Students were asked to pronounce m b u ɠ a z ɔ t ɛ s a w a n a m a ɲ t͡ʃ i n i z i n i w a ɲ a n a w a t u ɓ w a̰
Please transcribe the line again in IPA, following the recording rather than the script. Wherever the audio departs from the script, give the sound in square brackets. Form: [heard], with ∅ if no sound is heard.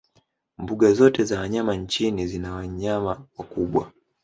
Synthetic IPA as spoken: m b u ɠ a z ɔ t ɛ [z] a w a [ɲ] a m a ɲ t͡ʃ i n i z i n [a] w a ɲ a [m] a w a [k] u ɓ w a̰